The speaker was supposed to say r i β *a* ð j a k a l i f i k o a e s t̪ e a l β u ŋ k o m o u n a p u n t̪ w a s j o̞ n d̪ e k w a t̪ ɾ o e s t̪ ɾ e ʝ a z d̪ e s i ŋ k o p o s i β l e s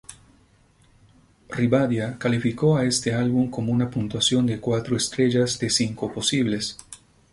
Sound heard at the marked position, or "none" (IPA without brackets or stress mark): a